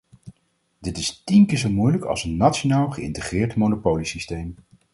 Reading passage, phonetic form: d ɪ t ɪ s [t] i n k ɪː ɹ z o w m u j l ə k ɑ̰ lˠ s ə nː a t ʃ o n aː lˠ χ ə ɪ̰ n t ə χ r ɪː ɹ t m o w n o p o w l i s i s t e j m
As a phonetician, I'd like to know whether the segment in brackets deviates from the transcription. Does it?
no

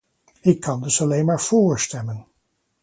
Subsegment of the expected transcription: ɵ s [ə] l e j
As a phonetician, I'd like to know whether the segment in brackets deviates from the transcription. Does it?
yes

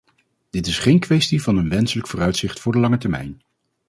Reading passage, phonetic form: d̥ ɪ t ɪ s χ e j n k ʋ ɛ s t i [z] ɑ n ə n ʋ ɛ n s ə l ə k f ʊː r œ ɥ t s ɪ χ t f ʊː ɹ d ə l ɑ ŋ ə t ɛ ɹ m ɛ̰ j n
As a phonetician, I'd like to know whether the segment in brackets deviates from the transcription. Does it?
yes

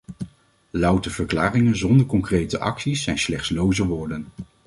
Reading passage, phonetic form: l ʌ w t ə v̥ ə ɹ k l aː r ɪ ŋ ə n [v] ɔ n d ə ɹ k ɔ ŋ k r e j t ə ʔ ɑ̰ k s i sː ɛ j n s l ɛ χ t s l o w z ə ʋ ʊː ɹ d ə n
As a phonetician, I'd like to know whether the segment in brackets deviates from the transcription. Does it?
yes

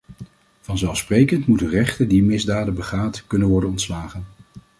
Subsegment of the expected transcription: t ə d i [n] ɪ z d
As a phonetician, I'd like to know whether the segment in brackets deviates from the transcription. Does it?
yes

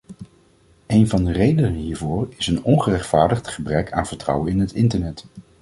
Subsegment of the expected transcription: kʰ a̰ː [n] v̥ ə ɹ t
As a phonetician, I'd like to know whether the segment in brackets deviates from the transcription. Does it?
no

